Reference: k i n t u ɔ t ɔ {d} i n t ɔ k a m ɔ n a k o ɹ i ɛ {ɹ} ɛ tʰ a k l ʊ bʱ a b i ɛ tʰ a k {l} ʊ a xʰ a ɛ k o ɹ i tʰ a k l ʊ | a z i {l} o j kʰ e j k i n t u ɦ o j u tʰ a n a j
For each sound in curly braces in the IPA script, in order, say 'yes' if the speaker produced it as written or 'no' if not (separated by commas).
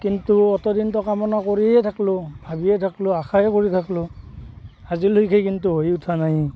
yes, no, yes, yes